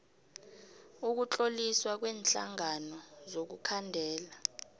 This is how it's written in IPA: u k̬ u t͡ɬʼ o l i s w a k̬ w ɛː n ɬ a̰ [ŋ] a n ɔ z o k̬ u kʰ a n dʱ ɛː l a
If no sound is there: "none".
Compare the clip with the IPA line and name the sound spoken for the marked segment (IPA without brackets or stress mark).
ŋ